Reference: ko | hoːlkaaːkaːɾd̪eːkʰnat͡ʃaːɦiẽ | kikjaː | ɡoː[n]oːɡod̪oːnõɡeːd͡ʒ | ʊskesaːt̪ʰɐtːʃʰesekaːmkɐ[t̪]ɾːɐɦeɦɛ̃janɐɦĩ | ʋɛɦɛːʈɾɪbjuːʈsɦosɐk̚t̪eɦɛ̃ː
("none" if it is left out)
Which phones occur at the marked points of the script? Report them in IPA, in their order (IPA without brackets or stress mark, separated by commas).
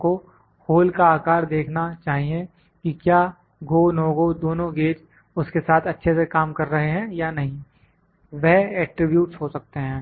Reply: n, none